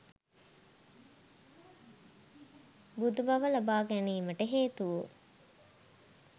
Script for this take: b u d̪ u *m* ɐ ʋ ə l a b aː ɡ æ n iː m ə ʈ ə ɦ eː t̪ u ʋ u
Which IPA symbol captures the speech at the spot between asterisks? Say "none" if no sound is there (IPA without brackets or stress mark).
b